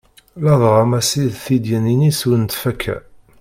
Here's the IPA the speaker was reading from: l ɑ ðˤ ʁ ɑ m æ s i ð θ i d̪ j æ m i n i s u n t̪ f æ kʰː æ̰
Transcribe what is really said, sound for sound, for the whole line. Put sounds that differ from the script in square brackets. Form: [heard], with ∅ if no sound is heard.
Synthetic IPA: l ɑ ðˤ ʁ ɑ m æ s i ð θ i d̪ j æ [n] i n i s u n t̪ f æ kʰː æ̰